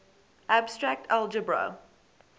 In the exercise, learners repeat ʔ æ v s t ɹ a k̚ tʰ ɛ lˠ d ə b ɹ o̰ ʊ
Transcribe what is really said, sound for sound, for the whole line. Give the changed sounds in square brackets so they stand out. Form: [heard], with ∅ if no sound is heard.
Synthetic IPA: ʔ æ [b] s t ɹ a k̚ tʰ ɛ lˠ [d͡ʒ] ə b ɹ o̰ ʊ